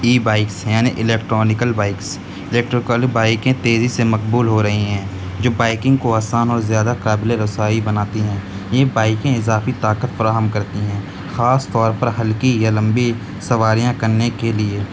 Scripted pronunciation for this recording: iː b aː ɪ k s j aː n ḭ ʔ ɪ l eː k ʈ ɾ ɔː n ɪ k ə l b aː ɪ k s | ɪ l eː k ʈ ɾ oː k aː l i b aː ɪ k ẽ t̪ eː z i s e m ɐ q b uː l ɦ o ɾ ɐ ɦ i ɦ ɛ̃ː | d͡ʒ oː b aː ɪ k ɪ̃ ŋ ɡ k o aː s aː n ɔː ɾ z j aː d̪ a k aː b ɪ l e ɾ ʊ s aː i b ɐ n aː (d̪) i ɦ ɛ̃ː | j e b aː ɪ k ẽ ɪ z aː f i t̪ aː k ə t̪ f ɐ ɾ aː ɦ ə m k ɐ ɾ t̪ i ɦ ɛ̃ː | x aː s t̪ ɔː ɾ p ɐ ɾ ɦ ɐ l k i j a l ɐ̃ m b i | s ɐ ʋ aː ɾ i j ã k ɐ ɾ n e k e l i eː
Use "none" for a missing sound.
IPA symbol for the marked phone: t̪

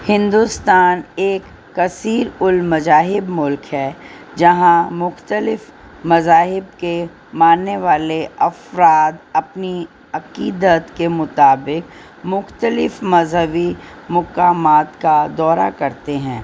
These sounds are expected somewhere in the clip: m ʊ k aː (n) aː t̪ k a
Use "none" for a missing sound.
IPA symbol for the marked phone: m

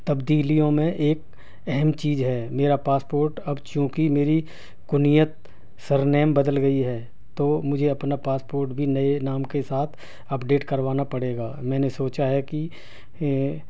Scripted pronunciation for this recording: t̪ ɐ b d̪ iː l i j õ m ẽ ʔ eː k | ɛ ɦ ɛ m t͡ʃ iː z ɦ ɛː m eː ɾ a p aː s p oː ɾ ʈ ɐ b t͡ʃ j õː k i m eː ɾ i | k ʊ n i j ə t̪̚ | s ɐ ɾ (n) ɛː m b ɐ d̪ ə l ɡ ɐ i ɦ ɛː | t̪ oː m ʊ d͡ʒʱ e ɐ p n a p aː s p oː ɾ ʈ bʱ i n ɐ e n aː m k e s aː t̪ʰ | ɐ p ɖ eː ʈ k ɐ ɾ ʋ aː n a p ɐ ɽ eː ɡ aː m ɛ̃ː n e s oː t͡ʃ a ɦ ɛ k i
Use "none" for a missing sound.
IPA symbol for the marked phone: n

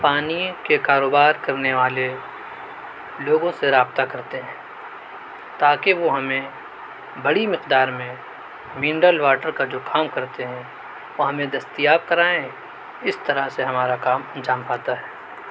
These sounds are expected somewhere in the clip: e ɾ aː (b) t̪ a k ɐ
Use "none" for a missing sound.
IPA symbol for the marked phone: b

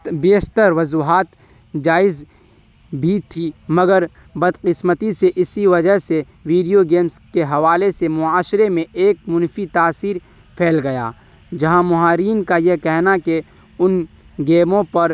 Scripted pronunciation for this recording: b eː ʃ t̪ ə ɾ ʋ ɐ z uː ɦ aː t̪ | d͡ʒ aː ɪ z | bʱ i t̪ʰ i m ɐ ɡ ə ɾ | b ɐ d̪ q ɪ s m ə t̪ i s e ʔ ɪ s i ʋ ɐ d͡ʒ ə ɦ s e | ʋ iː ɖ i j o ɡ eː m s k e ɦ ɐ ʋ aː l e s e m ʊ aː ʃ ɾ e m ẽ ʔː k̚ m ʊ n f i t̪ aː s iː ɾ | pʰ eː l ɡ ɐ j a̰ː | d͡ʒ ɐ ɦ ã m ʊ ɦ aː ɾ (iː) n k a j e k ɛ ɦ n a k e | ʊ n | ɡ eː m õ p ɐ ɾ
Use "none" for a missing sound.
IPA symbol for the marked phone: iː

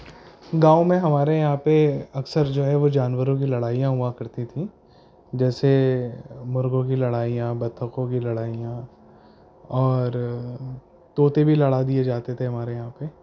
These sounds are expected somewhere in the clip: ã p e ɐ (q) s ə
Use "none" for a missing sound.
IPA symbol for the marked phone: k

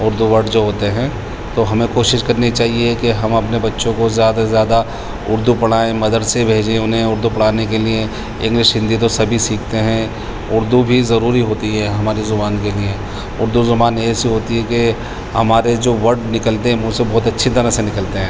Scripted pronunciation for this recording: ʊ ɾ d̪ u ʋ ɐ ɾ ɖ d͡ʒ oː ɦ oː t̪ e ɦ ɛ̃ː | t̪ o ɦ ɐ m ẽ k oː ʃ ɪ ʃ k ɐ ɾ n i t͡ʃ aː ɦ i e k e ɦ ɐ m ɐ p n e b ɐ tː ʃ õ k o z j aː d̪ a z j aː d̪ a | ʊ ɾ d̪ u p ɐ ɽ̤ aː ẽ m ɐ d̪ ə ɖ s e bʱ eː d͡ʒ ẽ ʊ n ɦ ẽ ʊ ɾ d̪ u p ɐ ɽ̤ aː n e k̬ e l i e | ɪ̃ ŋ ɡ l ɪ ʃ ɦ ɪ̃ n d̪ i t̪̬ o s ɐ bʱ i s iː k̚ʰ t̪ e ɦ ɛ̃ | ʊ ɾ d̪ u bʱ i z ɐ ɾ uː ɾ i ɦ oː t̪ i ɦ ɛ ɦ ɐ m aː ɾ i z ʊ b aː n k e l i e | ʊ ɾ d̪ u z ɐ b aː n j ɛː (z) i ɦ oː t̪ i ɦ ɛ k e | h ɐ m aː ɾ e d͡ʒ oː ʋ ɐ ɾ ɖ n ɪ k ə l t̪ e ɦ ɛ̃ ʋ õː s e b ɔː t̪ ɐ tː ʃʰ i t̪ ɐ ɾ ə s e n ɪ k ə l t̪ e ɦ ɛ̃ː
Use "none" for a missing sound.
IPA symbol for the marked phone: s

